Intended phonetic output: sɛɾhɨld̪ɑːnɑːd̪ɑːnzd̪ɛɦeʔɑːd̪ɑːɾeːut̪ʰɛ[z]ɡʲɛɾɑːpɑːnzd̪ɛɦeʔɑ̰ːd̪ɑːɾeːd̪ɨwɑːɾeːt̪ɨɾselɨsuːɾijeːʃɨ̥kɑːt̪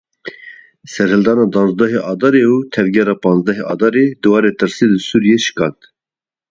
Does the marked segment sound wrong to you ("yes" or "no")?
yes